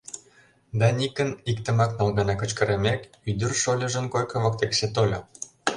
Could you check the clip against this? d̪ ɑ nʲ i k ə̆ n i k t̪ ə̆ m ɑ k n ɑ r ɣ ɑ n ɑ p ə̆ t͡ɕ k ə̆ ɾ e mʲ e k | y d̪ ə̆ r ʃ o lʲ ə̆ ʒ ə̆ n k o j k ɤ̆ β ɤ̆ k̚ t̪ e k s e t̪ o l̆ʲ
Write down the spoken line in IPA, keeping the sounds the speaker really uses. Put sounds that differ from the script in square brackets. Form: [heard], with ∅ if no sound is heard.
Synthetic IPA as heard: d̪ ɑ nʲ i k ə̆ n i k t̪ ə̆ m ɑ k n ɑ [l] ɣ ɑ n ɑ [k] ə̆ t͡ɕ k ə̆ ɾ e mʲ e k | y d̪ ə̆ r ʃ o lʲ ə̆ ʒ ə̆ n k o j k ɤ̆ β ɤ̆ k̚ t̪ e k s e t̪ o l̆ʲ